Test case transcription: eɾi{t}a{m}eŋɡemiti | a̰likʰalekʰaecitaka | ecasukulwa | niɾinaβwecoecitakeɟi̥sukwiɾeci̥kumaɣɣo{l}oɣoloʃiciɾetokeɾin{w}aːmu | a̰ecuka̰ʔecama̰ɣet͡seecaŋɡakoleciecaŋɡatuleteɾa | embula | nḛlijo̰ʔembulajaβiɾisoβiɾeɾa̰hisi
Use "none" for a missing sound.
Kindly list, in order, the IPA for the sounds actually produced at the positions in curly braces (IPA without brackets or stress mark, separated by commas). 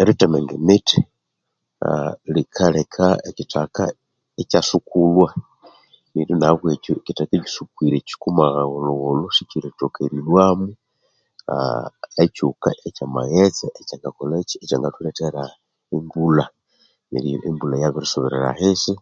t, m, l, w